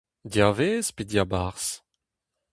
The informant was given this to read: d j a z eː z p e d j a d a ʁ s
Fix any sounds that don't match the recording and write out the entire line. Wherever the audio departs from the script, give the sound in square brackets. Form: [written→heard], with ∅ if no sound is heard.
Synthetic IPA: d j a [z→v] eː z p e d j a [d→b] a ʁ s